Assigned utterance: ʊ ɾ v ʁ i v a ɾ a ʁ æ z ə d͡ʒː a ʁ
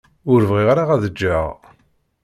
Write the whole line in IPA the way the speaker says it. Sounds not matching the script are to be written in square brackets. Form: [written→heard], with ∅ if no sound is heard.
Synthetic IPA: ʊ ɾ v ʁ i [v→ʁ] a ɾ a ʁ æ [z→ð] ə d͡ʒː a ʁ